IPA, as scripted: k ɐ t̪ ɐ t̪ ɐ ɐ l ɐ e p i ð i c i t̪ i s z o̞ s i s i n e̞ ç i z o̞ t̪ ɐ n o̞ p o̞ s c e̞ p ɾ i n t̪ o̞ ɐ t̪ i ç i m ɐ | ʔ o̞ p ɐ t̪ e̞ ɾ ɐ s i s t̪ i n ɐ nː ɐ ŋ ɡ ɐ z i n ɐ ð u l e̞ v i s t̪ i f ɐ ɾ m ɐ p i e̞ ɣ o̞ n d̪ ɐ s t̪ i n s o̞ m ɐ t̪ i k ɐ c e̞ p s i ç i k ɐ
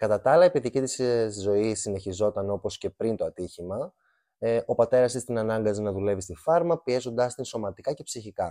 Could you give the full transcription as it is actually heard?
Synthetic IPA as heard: k ɐ t̪ ɐ t̪ ɐ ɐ l ɐ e p i ð i c i t̪ i s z o̞ i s i n e̞ ç i z o̞ t̪ ɐ n o̞ p o̞ s c e̞ p ɾ i n t̪ o̞ ɐ t̪ i ç i m ɐ | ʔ o̞ p ɐ t̪ e̞ ɾ ɐ s i s t̪ i n ɐ n ɐ ŋ ɡ ɐ z i n ɐ ð u l e̞ v i s t̪ i f ɐ ɾ m ɐ p i e̞ z o̞ n d̪ ɐ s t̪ i n s o̞ m ɐ t̪ i k ɐ c e̞ p s i ç i k ɐ